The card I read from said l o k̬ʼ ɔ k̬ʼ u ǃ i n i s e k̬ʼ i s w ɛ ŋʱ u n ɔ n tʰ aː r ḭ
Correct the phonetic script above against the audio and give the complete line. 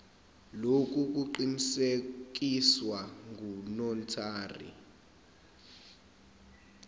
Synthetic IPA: l o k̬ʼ u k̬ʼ u ǃ i n i s e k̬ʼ i s w a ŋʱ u n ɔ n tʰ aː r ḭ